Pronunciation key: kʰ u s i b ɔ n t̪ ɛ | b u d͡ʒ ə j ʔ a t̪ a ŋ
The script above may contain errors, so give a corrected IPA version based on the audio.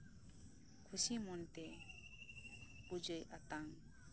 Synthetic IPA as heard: kʰ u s i m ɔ n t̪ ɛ | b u d͡ʒ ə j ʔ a t̪ a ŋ